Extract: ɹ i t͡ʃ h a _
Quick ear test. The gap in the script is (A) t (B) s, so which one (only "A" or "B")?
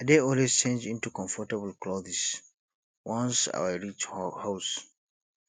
B